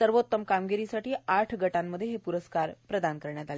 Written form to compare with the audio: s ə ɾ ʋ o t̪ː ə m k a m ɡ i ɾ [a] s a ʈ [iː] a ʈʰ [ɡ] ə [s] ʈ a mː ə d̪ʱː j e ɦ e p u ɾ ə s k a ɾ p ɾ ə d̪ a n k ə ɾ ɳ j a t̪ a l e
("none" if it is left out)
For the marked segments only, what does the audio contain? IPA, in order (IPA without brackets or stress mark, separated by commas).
i, iː, ɡ, none